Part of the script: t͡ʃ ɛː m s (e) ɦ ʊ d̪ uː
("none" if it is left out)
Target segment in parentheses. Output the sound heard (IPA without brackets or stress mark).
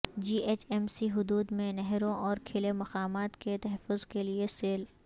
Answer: i